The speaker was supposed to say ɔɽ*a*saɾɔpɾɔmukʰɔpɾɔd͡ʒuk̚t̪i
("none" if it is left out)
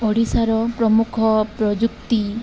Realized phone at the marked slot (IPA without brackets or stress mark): i